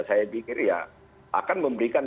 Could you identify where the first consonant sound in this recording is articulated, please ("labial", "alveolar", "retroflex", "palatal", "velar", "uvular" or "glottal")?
alveolar